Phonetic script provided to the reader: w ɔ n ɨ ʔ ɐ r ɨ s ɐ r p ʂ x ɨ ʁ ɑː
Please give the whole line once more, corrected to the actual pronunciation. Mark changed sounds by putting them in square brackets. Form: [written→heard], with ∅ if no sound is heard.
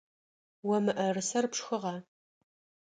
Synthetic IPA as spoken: w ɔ [n→m] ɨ ʔ ɐ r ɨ s ɐ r p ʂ x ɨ ʁ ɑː